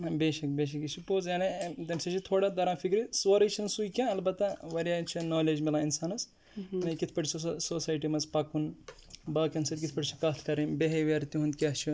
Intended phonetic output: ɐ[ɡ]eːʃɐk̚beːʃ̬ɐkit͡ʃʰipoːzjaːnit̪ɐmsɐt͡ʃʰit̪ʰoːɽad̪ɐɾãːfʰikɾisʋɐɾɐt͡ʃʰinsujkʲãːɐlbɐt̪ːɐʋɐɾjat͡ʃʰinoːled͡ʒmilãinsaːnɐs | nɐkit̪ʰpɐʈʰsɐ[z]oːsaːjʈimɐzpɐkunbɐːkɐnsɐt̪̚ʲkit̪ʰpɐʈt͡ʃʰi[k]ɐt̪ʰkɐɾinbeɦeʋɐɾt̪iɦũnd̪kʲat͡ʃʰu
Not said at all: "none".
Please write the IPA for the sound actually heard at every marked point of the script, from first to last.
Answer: b, s, k

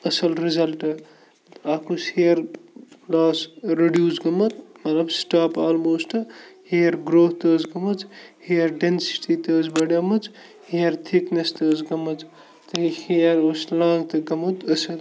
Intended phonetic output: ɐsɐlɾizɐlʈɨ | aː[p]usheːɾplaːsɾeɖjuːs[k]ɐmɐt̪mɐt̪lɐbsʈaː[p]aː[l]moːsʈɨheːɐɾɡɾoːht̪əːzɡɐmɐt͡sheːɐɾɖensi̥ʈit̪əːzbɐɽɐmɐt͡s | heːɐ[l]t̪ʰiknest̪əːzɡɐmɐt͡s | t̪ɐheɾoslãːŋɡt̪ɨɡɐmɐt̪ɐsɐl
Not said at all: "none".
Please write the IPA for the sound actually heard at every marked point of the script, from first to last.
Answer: k, ɡ, p, l, ɾ

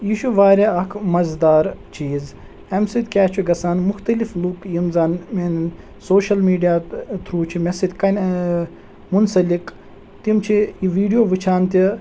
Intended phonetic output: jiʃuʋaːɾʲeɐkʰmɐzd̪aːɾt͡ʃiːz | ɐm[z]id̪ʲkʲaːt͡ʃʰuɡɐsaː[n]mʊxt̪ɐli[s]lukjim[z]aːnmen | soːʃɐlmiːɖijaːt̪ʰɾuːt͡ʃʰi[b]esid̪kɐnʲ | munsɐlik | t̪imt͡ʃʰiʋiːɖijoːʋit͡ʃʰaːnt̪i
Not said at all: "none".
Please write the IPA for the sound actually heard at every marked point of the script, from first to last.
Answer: s, n, f, z, m

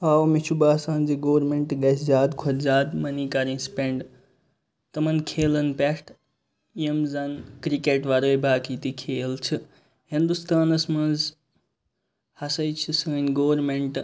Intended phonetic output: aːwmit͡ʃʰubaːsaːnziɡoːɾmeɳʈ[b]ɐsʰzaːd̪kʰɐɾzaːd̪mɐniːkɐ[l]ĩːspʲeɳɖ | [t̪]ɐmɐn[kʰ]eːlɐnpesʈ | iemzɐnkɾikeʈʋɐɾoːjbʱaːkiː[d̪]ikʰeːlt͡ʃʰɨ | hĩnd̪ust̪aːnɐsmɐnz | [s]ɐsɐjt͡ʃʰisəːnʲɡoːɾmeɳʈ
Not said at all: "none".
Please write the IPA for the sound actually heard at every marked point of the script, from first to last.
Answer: ɡ, ɾ, t̪, kʰ, t̪, h

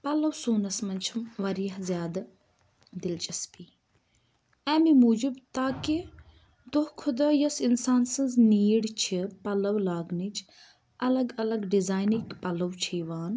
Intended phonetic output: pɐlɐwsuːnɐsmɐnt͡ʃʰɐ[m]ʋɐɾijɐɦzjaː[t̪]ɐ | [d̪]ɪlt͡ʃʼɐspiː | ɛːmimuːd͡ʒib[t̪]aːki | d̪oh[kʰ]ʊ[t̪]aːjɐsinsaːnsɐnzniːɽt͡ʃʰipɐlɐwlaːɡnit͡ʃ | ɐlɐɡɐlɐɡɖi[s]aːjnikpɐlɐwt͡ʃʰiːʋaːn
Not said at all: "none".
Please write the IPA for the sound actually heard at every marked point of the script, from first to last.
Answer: m, d̪, d̪, t̪, kʰ, d̪, z

